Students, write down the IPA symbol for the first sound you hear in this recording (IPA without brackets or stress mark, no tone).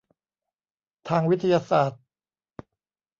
t̪ʰ